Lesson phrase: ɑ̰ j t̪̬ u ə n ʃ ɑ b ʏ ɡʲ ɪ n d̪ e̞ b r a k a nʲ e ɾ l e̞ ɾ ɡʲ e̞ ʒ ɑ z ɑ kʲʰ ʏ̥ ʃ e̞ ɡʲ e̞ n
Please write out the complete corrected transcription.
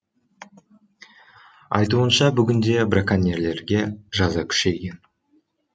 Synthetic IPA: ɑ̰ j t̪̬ u ə n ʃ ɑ b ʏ ɡʲ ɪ n d̪ e̞ b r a k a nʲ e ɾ l e̞ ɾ ɡʲ e̞ ʒ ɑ z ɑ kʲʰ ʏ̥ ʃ e̞ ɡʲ e̞ n